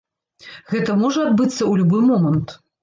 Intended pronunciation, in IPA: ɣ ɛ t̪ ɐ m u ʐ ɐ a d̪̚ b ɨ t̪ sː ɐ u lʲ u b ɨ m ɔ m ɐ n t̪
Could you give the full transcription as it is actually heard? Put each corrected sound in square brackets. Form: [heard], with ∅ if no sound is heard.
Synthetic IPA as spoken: ɣ ɛ t̪ ɐ m [ɔ] ʐ ɐ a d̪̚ b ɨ t̪ sː ɐ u lʲ u b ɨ m ɔ m ɐ n t̪